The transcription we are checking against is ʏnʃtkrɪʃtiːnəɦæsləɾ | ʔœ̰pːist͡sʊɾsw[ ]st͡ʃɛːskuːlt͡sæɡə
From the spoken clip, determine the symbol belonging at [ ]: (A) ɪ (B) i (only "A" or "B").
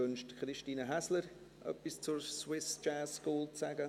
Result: A